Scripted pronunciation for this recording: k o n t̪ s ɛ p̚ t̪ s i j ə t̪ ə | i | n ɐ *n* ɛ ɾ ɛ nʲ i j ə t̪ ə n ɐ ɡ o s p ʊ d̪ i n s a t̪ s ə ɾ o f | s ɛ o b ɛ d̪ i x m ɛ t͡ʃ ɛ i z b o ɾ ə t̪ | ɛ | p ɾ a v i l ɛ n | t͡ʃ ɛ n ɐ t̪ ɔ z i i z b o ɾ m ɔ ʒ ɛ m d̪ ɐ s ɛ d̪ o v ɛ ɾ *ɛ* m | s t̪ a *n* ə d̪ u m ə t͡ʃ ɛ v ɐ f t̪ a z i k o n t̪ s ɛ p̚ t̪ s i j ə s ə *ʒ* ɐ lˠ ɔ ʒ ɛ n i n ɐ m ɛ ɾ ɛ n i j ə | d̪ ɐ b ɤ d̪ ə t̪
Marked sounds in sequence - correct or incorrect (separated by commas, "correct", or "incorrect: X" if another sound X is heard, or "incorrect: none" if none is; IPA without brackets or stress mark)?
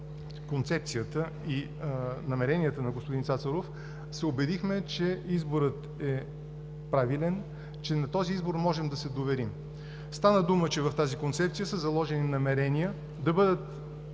incorrect: m, incorrect: i, correct, incorrect: z